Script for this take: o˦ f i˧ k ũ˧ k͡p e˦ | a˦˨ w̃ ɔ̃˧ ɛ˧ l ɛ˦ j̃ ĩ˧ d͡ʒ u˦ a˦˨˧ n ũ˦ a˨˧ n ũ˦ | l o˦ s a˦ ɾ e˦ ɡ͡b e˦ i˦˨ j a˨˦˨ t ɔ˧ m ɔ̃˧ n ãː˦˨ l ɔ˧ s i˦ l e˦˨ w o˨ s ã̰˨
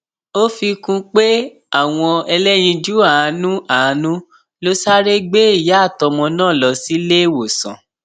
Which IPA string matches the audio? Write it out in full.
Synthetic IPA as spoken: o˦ f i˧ k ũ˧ k͡p e˦ | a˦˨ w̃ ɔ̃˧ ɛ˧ l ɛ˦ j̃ ĩ˧ d͡ʒ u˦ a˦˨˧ n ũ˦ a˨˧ n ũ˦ | l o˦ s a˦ ɾ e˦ ɡ͡b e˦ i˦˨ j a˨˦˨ t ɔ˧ m ɔ̃˧ n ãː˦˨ l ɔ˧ s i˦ l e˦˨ w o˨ s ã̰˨

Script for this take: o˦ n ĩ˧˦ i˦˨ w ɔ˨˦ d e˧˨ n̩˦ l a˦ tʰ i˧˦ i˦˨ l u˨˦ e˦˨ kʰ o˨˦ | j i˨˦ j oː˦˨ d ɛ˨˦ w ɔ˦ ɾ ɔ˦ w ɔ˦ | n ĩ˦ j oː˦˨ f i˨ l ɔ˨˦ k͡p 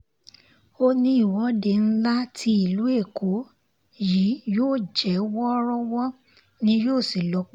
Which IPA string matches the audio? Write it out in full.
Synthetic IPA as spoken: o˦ n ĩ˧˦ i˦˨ w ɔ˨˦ d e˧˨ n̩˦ l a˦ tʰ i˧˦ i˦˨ l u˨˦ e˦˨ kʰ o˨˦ | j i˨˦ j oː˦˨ d͡ʒ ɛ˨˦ w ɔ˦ ɾ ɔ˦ w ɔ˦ | n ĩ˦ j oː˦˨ s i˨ l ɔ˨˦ k͡p

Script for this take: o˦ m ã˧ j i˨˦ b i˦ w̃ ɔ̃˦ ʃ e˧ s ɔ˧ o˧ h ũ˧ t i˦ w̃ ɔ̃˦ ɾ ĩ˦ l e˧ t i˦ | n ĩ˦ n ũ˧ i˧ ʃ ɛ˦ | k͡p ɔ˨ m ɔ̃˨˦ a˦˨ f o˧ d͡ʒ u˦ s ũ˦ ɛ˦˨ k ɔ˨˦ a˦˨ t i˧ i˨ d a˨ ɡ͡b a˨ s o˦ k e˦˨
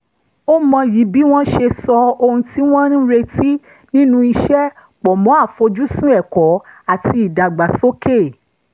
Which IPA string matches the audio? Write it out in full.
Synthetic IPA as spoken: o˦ m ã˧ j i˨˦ b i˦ w̃ ɔ̃˦ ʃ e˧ s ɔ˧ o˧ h ũ˧ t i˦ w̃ ɔ̃˦ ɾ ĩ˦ ɾ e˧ t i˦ | n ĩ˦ n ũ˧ i˧ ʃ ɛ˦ | k͡p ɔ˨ m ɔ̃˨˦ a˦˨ f o˧ d͡ʒ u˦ s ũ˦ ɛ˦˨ k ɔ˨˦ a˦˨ t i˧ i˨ d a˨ ɡ͡b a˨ s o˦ k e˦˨

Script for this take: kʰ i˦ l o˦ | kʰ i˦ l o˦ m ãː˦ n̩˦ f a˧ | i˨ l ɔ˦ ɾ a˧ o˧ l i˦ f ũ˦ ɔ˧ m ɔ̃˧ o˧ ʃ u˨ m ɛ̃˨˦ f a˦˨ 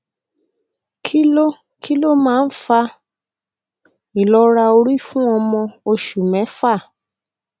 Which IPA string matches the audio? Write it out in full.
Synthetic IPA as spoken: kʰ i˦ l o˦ | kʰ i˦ l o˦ m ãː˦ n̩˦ f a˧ | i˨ l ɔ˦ ɾ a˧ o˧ ɾ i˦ f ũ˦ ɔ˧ m ɔ̃˧ o˧ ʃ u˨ m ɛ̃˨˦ f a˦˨

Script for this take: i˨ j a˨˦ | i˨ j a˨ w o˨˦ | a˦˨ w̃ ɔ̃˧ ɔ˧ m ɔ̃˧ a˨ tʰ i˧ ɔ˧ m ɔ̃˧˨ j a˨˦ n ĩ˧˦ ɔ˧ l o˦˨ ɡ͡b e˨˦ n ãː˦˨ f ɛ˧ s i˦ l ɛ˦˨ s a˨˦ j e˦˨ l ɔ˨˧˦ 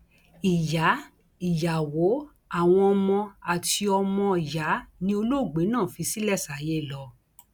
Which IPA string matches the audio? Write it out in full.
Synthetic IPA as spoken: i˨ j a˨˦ | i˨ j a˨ w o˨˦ | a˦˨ w̃ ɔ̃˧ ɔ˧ m ɔ̃˧ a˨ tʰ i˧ ɔ˧ m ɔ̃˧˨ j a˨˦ n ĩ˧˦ o˧ l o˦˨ ɡ͡b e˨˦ n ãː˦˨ f i˧ s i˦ l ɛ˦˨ s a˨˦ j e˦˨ l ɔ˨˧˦

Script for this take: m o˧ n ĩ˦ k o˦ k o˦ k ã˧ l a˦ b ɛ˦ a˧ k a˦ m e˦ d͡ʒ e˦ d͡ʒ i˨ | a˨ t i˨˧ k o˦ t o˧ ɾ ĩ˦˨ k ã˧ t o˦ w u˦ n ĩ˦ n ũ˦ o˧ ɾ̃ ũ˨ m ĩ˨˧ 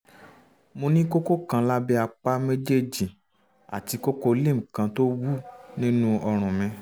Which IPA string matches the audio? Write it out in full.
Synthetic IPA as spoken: m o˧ n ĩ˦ k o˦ k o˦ k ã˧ l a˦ b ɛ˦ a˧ k͡p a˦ m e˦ d͡ʒ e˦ d͡ʒ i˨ | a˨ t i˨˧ k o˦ k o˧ l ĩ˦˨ k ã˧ t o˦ w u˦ n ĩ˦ n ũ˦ ɔ˧ ɾ̃ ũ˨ m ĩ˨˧

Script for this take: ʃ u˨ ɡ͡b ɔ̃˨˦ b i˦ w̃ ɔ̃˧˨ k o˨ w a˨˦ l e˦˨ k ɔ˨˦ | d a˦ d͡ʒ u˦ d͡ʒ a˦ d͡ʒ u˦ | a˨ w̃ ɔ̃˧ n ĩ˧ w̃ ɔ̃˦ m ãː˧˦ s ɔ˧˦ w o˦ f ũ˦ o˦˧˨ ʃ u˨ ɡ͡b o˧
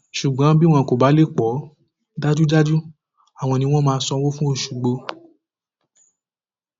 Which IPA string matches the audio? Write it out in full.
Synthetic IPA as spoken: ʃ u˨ ɡ͡b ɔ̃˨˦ b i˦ w̃ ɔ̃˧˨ k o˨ b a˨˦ l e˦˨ k͡p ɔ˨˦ | d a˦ d͡ʒ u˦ d͡ʒ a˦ d͡ʒ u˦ | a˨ w̃ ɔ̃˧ n ĩ˧ w̃ ɔ̃˦ m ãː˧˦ s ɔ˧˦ w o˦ f ũ˦ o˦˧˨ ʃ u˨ ɡ͡b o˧

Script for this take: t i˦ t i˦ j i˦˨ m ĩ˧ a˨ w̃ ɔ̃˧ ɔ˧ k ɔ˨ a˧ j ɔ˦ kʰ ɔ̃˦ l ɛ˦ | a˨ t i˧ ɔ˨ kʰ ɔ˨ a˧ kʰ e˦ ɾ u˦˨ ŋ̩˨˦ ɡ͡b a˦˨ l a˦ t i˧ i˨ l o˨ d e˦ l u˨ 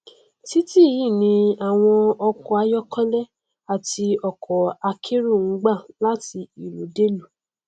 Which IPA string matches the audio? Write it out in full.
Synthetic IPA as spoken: t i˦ t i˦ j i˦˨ n ĩ˧ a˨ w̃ ɔ̃˧ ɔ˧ k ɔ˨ a˧ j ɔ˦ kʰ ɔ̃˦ l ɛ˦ | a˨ t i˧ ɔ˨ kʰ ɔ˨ a˧ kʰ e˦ ɾ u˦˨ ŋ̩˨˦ ɡ͡b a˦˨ l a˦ t i˧ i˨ l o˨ d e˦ l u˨

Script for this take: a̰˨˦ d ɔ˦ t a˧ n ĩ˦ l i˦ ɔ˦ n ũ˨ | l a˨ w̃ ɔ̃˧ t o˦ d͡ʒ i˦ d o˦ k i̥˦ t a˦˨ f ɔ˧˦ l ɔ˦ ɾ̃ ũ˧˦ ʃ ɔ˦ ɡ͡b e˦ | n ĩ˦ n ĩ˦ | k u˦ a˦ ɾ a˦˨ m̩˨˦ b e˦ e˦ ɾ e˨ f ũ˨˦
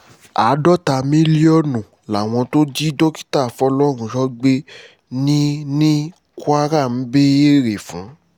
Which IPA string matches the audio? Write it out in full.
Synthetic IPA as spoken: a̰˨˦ d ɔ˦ t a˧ m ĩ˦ l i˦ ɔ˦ n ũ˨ | l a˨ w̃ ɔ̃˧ t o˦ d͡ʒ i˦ d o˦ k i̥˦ t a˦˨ f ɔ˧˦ l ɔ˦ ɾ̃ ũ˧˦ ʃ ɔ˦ ɡ͡b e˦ | n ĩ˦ n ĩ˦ | k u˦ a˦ ɾ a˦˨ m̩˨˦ b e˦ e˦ ɾ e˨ f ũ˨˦

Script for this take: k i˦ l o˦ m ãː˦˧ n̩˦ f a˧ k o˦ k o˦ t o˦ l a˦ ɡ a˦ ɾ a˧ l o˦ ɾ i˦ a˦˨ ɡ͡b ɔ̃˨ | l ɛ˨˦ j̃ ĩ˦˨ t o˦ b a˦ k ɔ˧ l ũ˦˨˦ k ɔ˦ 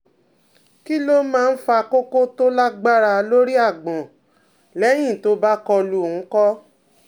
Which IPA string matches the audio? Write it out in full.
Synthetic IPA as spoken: k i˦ l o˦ m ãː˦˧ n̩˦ f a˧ k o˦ k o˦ t o˦ l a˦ ɡ͡b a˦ ɾ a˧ l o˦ ɾ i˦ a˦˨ ɡ͡b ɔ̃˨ | l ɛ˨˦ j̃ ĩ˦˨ t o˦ b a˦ k ɔ˧ l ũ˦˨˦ k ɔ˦

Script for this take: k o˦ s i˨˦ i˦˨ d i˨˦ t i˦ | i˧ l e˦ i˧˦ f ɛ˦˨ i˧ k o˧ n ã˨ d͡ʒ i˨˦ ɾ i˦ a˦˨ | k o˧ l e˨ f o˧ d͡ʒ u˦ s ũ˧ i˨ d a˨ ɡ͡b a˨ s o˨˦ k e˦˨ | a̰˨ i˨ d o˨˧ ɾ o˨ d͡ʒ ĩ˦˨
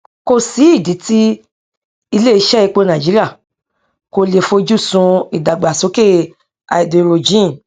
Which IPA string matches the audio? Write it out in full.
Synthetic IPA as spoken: k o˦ s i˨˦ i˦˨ d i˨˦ t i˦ | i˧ l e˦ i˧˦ ʃ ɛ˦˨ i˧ k͡p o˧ n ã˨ d͡ʒ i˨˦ ɾ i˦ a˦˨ | k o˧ l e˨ f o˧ d͡ʒ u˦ s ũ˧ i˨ d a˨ ɡ͡b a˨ s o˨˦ k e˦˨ | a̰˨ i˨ d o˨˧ ɾ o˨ d͡ʒ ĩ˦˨

